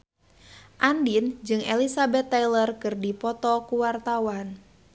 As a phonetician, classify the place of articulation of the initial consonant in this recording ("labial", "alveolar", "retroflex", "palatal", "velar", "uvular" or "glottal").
glottal